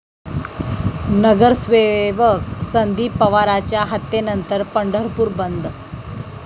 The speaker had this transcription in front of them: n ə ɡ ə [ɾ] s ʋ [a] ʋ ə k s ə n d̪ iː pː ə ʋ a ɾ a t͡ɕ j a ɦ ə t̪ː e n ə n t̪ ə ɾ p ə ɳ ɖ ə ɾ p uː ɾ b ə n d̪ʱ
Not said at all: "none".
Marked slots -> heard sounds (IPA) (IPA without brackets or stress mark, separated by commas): ɾ, e